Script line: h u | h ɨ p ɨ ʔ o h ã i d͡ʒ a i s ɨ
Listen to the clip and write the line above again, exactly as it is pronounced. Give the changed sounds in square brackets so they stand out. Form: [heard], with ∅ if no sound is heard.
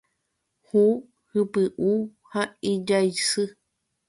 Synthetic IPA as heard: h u | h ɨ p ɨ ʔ [u] h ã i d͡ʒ a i s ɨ